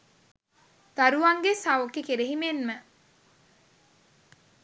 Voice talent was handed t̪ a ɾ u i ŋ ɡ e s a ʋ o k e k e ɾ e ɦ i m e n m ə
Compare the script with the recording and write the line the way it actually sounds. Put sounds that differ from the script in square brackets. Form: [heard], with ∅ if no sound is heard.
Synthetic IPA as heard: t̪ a ɾ u [a] ŋ ɡ e s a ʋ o k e k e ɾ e ɦ i m e n m ə